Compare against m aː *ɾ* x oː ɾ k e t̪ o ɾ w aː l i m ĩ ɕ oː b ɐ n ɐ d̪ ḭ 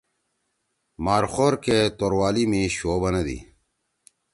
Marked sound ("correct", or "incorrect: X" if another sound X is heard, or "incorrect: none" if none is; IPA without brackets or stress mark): correct